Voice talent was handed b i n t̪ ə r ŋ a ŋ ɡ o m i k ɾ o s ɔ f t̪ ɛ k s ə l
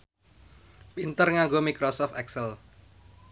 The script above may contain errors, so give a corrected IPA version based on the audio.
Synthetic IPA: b i n t̪ ə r ŋ a ŋ ɡ o m i k ɾ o s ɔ f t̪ ɛ k s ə l